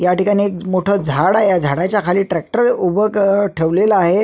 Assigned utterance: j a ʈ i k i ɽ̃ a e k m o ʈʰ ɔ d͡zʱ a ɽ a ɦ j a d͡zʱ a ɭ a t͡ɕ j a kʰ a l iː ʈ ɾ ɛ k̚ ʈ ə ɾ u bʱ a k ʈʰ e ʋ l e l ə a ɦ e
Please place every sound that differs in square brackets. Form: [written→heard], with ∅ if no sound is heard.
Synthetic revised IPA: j a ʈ i k [i→a] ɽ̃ [a→i] e k m o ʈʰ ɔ d͡zʱ a ɽ a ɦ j a d͡zʱ a [ɭ→ɽ] a t͡ɕ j a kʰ a l iː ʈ ɾ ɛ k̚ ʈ ə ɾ u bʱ [a→ə] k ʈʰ e ʋ l e l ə a ɦ e